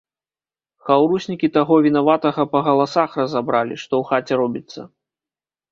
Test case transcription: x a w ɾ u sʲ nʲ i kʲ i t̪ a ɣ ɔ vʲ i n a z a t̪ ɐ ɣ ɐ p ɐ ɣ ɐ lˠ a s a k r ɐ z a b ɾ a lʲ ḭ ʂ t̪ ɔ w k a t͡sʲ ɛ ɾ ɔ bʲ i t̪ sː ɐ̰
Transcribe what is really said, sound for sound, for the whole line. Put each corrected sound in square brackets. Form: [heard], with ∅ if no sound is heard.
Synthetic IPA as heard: x a w ɾ u sʲ nʲ i kʲ i t̪ a ɣ ɔ vʲ i n a [v] a t̪ ɐ ɣ ɐ p ɐ ɣ ɐ lˠ a s a [x] r ɐ z a b ɾ a lʲ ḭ ʂ t̪ ɔ w [x] a t͡sʲ ɛ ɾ ɔ bʲ i t̪ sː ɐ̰